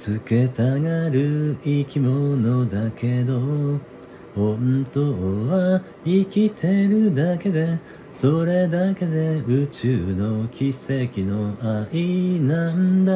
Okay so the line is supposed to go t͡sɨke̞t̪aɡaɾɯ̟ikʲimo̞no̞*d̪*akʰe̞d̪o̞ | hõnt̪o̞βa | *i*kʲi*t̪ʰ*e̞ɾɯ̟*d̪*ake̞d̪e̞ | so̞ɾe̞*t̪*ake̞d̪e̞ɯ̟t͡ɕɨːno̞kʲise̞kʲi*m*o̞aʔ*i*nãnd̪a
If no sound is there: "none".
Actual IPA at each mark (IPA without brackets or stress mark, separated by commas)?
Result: d̪, i, t̪ʰ, d̪, d̪, n, i